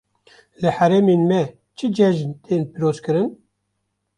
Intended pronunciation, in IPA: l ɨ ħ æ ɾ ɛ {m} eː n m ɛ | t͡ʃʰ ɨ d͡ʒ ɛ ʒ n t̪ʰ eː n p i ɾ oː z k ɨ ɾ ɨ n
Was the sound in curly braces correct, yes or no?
yes